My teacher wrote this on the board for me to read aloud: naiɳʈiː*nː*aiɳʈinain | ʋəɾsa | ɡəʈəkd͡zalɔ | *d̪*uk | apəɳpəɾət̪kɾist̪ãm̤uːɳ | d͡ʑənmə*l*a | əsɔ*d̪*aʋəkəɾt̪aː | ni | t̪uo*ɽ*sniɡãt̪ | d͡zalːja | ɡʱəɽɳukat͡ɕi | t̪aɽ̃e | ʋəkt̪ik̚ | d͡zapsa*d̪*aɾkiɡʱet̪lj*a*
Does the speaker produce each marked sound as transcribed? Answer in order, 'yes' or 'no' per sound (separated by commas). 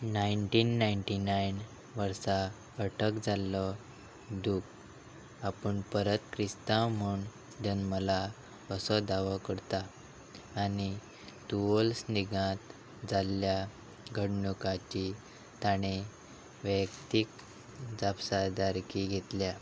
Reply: yes, yes, yes, yes, no, yes, yes